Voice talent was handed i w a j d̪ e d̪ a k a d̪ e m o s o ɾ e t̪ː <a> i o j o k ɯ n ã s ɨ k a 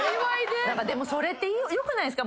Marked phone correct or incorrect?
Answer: incorrect